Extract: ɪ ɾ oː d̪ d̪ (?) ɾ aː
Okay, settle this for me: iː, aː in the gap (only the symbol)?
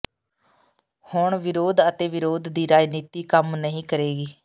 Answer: iː